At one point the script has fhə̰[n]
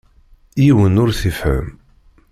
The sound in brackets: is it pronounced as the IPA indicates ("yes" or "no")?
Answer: no